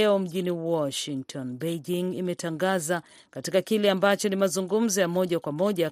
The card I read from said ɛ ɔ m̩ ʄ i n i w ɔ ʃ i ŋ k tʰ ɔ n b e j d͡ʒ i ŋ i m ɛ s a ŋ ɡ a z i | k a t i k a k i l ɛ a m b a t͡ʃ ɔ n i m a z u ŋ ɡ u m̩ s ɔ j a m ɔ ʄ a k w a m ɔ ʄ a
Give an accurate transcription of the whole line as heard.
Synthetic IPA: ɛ ɔ m̩ ʄ i n i w ɔ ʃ i ŋ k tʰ ɔ n b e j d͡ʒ i ŋ i m ɛ t a ŋ ɡ a z a | k a t i k a k i l ɛ a m b a t͡ʃ ɔ n i m a z u ŋ ɡ u m̩ z ɔ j a m ɔ ʄ a k w a m ɔ ʄ a